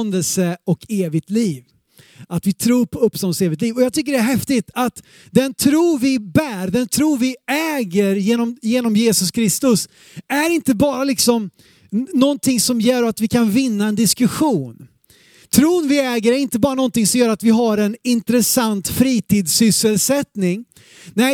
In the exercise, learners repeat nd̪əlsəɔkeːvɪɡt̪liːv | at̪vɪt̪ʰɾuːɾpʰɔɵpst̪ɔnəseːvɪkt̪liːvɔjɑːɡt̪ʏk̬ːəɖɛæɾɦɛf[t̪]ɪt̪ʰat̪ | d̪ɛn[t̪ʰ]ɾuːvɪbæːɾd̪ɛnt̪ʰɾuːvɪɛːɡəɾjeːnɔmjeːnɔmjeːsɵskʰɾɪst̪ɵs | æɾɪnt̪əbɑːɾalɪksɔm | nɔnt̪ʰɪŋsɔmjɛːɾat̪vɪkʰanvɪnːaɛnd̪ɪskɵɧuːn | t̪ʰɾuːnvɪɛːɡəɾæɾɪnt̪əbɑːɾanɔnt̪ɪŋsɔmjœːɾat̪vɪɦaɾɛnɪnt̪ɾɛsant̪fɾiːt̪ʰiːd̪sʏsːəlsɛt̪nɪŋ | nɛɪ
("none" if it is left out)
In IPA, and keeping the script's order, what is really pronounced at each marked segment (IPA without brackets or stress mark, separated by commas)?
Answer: t̪, t̪ʰ